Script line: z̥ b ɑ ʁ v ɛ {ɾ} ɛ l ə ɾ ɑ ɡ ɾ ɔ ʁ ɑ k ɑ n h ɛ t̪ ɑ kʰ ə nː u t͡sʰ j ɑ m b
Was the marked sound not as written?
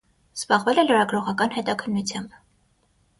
yes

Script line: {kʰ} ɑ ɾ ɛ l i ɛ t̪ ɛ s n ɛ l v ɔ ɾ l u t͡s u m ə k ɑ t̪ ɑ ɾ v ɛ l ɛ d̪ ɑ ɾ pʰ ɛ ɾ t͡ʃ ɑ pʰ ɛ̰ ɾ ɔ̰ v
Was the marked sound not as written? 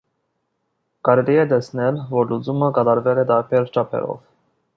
yes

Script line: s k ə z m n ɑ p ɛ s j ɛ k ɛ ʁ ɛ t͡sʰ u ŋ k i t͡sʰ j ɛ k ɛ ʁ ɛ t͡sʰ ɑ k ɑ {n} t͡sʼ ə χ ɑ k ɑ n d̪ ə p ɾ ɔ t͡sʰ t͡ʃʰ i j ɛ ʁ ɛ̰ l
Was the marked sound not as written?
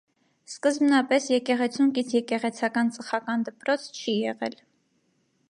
no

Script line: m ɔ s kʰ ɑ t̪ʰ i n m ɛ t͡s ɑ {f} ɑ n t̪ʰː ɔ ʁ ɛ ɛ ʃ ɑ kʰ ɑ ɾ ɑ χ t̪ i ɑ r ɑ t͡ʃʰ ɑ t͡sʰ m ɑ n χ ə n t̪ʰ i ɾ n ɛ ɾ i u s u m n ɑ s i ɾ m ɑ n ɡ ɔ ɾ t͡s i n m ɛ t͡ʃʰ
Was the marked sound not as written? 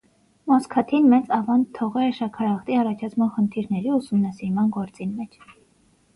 yes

